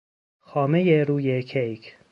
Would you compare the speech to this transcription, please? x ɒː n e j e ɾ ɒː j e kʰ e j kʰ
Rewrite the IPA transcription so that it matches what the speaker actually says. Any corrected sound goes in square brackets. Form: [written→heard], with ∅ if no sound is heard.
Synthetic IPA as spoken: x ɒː [n→m] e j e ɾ [ɒː→uː] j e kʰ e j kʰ